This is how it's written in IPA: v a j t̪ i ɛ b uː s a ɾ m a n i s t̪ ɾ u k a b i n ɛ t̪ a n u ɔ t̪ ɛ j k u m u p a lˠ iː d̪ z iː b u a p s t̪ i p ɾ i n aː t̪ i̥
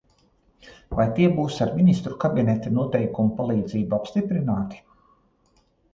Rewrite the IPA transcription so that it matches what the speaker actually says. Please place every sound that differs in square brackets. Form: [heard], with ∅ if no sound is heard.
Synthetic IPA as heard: v a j t̪ i ɛ b uː s a ɾ m [i] n i s t̪ ɾ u k a b i n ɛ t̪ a n u ɔ t̪ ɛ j k u m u p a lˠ iː d̪ z iː b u a p s t̪ i p ɾ i n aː t̪ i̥